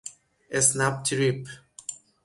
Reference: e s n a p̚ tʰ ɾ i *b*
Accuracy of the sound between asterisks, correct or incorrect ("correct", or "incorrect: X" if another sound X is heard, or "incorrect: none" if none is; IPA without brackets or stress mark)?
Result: incorrect: p